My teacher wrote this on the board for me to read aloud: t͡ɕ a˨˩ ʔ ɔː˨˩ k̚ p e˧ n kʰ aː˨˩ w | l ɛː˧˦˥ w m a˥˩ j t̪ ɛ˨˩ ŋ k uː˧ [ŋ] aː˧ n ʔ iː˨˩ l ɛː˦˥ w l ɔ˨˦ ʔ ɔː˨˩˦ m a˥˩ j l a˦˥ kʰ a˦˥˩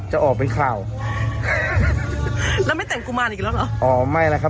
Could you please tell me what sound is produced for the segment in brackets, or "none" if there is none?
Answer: m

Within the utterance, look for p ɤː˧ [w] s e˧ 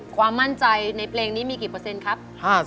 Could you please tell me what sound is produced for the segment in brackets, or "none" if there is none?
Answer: none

